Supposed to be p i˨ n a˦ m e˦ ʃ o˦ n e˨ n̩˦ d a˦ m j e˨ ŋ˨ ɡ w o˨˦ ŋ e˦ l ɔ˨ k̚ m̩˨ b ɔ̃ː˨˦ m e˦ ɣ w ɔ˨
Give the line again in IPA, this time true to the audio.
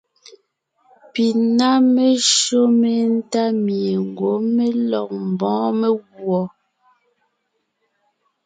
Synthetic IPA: p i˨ n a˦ m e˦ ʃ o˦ m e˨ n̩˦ t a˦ m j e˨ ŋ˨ ɡ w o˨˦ m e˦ l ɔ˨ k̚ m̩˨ b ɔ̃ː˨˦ m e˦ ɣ w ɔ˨